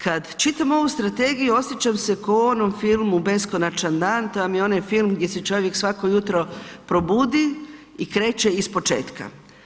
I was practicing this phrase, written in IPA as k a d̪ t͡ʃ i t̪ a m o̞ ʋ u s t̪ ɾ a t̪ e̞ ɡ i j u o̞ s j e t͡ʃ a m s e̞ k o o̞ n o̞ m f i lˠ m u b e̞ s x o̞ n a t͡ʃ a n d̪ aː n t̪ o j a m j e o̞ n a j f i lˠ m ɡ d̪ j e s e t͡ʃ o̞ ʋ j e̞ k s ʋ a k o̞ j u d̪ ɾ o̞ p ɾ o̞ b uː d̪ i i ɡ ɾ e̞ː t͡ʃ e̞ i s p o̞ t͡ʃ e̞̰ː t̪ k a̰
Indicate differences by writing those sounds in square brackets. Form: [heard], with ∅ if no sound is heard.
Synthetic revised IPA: k a d̪ t͡ʃ i t̪ a m o̞ ʋ u s t̪ ɾ a t̪ e̞ ɡ i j u o̞ s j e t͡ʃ a m s e̞ k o o̞ n o̞ m f i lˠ m u b e̞ s [k] o̞ n a t͡ʃ a n d̪ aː n t̪ o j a m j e o̞ n a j f i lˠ m ɡ d̪ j e s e t͡ʃ o̞ ʋ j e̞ k s ʋ a k o̞ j u [t̪] ɾ o̞ p ɾ o̞ b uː d̪ i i [k] ɾ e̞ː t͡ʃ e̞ i s p o̞ t͡ʃ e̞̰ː t̪ k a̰